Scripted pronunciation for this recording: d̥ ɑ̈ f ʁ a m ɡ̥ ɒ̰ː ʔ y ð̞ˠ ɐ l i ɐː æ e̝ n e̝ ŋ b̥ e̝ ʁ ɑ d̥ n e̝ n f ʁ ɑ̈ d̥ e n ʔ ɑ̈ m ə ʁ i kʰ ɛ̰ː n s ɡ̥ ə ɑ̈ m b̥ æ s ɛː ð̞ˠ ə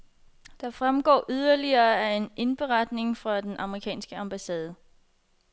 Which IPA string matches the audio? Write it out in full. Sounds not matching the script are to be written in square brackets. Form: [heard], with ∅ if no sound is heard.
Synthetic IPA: d̥ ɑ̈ f ʁ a m ɡ̥ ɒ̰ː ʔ y ð̞ˠ ɐ l i ɐː æ e̝ n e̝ [n] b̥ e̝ ʁ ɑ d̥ n e̝ [ŋ] f ʁ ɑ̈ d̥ e n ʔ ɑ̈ m ə ʁ i kʰ ɛ̰ː n s ɡ̥ ə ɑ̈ m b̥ æ s ɛː ð̞ˠ ə